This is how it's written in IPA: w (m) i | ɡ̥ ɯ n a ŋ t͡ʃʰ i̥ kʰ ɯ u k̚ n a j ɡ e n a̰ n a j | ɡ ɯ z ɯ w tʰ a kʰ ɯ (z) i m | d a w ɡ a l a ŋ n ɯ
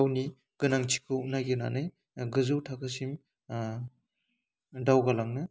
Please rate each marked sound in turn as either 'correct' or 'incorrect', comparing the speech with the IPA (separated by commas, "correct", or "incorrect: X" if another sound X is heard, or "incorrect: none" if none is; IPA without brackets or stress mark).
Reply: incorrect: n, incorrect: s